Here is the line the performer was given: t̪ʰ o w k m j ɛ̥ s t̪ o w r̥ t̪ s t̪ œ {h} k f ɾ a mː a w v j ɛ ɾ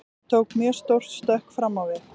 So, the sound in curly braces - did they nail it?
yes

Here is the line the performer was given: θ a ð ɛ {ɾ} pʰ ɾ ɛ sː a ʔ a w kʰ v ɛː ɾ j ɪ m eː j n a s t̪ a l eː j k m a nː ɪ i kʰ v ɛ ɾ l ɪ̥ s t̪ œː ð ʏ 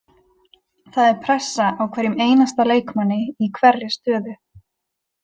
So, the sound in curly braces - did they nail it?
yes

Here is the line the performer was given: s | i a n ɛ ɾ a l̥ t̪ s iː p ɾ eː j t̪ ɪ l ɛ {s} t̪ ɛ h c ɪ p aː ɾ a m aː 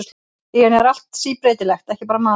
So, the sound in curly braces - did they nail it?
no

